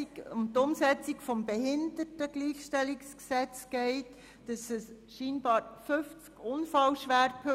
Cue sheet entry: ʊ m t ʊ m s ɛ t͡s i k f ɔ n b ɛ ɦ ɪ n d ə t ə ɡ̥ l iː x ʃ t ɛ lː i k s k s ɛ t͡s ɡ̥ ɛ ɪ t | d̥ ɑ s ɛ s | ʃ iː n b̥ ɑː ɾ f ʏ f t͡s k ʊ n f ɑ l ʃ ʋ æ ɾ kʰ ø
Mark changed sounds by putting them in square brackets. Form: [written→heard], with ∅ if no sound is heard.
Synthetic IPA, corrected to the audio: ʊ m t ʊ m s ɛ t͡s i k f ɔ [n→m] b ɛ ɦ ɪ n d ə t ə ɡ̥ l iː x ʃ t ɛ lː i k s k s ɛ t͡s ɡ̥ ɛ ɪ t | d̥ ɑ s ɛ s | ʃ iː n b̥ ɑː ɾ f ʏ f t͡s k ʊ n f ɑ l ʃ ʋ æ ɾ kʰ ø